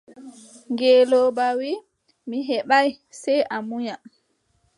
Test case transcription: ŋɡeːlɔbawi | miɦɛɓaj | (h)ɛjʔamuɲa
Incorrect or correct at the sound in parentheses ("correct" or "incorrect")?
incorrect